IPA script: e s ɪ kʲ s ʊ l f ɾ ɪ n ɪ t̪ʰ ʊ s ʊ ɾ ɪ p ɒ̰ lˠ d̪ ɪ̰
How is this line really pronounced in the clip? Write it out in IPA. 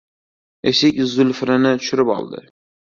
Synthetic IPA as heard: e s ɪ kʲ z ʊ l f ɾ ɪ n ɪ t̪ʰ ʊ ʃ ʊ ɾ ɪ p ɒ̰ lˠ d̪ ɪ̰